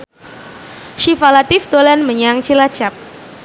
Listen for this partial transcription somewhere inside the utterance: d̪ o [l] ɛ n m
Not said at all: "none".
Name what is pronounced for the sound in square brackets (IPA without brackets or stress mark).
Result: l